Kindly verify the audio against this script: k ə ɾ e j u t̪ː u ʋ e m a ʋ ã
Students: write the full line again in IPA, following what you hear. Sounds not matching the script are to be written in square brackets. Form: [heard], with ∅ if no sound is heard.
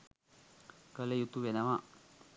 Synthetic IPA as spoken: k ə [l] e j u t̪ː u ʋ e [n] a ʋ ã

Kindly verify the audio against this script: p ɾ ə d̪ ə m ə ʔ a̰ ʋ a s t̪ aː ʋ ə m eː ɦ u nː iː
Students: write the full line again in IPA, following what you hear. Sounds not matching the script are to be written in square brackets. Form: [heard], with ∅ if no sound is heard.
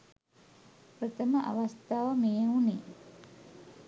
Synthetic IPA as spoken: p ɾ ə [t̪] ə m ə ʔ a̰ ʋ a s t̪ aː ʋ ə m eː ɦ u [n] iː

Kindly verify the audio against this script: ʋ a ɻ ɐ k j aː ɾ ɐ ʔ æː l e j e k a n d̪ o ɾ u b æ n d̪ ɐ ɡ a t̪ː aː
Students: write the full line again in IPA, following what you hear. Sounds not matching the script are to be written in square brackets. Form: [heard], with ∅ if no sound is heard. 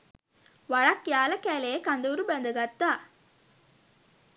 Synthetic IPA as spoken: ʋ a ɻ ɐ k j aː [l] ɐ [k] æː l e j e k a n d̪ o ɾ u b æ n d̪ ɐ ɡ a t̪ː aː

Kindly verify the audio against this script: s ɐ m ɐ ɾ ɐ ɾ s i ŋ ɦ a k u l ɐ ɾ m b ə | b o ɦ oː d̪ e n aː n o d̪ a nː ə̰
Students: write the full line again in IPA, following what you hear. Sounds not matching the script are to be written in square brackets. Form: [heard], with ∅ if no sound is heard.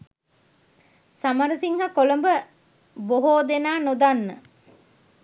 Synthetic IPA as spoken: s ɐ m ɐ ɾ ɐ [∅] s i ŋ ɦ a k [o] l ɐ [∅] m b ə | b o ɦ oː d̪ e n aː n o d̪ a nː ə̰

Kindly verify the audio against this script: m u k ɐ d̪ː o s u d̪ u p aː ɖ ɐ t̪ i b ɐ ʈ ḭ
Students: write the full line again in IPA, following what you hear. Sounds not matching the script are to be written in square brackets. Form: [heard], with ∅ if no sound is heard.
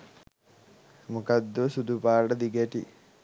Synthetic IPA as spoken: m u k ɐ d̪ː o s u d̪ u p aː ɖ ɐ [d̪] i [ɡ] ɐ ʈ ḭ

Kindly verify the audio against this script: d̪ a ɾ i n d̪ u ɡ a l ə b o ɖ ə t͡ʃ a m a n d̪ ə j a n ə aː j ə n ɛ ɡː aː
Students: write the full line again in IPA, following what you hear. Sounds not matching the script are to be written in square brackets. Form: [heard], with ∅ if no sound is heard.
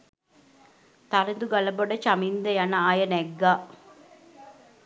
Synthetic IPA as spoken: [t̪] a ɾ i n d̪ u ɡ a l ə b o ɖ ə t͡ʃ a m [i] n d̪ ə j a n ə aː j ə n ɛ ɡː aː

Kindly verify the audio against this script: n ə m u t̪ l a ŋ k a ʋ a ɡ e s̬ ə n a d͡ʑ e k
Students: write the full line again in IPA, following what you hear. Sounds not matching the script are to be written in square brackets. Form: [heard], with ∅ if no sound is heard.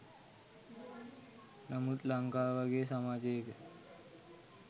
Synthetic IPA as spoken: n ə m u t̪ l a ŋ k a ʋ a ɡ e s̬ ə [m] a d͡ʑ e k

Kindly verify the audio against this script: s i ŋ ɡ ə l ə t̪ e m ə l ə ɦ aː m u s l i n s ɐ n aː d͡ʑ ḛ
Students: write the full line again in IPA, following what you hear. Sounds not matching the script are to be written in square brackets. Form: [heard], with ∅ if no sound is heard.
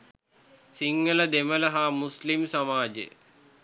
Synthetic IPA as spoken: s i ŋ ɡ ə l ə [d̪] e m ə l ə ɦ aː m u s l i [m] s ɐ [m] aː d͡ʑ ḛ

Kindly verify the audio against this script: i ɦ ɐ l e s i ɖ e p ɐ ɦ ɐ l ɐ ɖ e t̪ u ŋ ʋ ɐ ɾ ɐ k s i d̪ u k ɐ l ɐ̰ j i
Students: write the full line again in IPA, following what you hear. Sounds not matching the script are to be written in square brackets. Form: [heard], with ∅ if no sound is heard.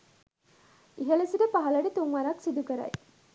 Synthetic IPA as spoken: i ɦ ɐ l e s i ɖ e p ɐ ɦ ɐ l ɐ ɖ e t̪ u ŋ ʋ ɐ ɾ ɐ k s i d̪ u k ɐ [ɾ] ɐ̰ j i

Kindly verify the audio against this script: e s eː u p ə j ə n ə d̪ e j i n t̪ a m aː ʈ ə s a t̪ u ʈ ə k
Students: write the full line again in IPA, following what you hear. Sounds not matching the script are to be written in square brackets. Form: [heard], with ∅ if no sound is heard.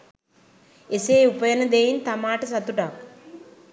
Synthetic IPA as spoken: e s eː u p ə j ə n ə d̪ e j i n t̪ a m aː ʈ ə s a t̪ u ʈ [a] k

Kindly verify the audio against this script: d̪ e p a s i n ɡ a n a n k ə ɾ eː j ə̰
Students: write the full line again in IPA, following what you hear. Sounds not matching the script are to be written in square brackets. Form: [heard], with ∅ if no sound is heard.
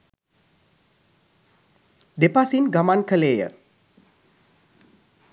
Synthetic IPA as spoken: d̪ e p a s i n ɡ a [m] a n k ə [l] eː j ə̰

